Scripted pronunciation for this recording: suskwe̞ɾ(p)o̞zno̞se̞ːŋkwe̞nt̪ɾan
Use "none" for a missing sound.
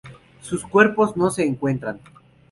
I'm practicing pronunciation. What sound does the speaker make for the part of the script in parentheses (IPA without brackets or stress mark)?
p